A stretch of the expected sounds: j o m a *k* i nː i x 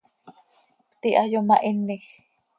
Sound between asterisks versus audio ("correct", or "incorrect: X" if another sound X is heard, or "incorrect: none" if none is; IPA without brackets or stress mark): incorrect: ʔ